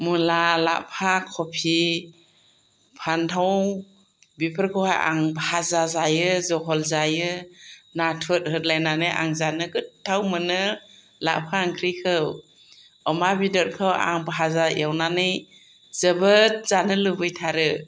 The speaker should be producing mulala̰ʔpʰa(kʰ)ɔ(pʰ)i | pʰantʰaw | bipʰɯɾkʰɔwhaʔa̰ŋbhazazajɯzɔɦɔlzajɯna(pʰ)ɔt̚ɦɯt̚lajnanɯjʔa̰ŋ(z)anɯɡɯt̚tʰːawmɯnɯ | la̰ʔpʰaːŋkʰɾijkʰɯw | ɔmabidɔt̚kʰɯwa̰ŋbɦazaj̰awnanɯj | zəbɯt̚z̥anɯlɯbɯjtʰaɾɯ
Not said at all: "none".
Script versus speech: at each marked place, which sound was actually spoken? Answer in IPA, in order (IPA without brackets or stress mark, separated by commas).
kʰ, pʰ, tʰ, z